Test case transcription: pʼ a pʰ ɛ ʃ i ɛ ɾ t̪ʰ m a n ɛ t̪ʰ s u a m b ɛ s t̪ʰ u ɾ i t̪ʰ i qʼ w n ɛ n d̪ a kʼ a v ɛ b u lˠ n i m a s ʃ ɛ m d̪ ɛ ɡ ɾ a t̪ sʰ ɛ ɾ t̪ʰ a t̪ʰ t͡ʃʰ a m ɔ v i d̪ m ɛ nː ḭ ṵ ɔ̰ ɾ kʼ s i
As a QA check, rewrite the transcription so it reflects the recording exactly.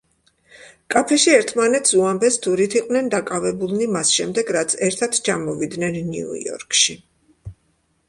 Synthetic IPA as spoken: kʼ a pʰ ɛ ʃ i ɛ ɾ t̪ʰ m a n ɛ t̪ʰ s u a m b ɛ s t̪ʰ u ɾ i t̪ʰ i qʼ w n ɛ n d̪ a kʼ a v ɛ b u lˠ n i m a s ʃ ɛ m d̪ ɛ ɡ ɾ a t̪ sʰ ɛ ɾ t̪ʰ a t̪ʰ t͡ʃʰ a m ɔ v i d̪ n ɛ nː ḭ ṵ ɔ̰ ɾ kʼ ʃ i

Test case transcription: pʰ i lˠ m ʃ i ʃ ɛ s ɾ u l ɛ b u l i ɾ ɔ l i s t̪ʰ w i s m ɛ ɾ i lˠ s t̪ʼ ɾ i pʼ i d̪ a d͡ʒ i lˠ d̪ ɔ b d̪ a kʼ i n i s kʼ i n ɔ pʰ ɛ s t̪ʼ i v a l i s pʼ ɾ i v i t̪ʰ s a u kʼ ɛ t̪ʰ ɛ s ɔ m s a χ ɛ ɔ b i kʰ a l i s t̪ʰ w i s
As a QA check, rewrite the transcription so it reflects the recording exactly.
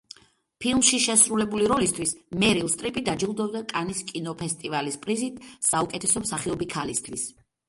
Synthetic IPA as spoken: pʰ i lˠ m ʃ i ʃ ɛ s ɾ u l ɛ b u l i ɾ ɔ l i s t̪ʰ w i s m ɛ ɾ i lˠ s t̪ʼ ɾ i pʼ i d̪ a d͡ʒ i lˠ d̪ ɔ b d̪ a kʼ a n i s kʼ i n ɔ pʰ ɛ s t̪ʼ i v a l i s pʼ ɾ i z i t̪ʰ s a u kʼ ɛ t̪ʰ ɛ s ɔ m s a χ i ɔ b i kʰ a l i s t̪ʰ w i s

